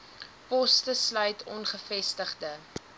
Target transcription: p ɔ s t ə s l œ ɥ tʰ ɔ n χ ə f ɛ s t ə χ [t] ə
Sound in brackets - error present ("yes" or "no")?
yes